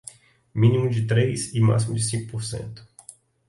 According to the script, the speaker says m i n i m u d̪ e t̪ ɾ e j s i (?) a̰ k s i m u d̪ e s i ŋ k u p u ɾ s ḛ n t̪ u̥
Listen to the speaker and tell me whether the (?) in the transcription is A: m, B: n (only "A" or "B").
A